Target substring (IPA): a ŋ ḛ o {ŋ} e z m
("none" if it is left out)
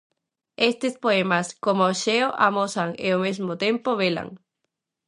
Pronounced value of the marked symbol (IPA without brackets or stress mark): m